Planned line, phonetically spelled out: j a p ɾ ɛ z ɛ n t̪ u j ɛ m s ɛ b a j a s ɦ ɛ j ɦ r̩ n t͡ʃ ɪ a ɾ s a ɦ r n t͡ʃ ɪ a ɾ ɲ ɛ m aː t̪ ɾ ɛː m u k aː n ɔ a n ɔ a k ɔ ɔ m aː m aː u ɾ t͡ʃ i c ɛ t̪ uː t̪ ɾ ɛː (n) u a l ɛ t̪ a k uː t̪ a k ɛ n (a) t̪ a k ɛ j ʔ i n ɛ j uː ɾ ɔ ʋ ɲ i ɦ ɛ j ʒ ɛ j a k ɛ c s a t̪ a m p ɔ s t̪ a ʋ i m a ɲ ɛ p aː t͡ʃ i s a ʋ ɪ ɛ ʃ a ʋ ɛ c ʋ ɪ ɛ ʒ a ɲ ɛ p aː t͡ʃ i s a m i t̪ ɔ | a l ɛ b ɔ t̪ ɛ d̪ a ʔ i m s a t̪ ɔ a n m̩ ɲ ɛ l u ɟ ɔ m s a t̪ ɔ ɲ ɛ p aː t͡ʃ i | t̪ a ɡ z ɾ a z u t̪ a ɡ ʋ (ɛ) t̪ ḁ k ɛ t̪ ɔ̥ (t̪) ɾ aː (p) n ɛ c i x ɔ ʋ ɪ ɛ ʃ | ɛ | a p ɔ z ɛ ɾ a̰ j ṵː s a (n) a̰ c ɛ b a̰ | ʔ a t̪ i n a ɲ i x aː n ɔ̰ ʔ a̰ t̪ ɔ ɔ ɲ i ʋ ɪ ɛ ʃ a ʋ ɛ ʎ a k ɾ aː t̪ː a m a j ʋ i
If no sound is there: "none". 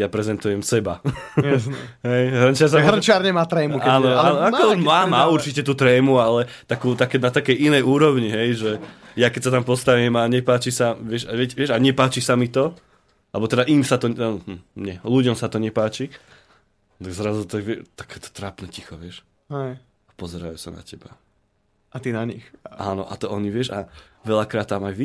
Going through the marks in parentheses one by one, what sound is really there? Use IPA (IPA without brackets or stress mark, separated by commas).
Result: m, a, ɛ, t̪, p, n